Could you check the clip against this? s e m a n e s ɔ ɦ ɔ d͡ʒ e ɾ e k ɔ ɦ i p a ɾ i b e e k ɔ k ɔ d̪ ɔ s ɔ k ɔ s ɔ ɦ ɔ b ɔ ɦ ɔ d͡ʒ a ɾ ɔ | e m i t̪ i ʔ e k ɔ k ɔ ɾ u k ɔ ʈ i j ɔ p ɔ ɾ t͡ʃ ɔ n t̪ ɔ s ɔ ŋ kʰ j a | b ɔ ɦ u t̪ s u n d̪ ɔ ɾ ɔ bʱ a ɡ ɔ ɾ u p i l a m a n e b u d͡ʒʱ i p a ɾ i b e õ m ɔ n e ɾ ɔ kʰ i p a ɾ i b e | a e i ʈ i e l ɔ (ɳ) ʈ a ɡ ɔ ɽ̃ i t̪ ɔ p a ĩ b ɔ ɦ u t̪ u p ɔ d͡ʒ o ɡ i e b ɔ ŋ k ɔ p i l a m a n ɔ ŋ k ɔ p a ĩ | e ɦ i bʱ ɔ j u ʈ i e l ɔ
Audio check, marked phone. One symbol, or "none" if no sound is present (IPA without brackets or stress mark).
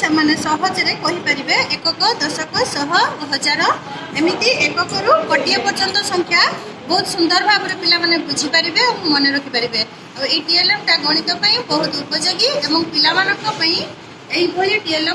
m